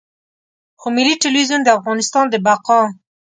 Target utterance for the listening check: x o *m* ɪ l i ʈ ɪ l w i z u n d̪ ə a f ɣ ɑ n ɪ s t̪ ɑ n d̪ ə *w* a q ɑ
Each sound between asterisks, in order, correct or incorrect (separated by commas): correct, incorrect